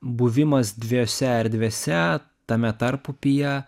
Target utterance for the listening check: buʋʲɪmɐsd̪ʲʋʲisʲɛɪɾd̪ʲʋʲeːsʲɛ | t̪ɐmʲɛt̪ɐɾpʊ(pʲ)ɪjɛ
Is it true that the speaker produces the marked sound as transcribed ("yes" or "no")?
yes